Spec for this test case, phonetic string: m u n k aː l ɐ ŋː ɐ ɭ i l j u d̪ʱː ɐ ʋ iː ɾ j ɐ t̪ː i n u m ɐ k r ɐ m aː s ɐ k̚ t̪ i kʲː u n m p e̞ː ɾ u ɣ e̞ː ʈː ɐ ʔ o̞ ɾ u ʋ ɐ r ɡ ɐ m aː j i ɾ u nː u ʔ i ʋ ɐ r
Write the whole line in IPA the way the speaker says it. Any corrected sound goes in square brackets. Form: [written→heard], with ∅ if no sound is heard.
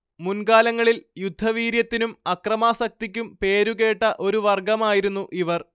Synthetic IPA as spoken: m u n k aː l ɐ ŋː ɐ ɭ i l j u d̪ʱː ɐ ʋ iː ɾ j ɐ t̪ː i n u m ɐ k r ɐ m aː s ɐ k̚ t̪ i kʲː u [n→∅] m p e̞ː ɾ u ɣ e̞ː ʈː ɐ ʔ o̞ ɾ u ʋ ɐ r ɡ ɐ m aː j i ɾ u nː u ʔ i ʋ ɐ r